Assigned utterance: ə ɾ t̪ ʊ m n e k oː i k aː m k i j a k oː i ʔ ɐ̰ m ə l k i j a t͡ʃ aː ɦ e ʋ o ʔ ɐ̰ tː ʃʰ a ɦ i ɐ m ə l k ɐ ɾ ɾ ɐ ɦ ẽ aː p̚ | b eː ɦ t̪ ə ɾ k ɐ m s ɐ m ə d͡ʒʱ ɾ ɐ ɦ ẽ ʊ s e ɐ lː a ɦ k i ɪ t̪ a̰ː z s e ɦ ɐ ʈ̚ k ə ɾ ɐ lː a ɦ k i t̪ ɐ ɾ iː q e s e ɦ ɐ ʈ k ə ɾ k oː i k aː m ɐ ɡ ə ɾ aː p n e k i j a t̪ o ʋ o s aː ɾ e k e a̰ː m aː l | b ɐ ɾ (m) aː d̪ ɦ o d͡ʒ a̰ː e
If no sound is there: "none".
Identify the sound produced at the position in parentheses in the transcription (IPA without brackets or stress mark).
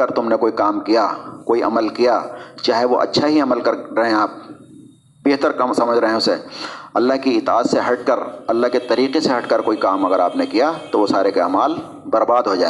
b